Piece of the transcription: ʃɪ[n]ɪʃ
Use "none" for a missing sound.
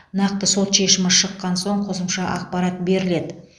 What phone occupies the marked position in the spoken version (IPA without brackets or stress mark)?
m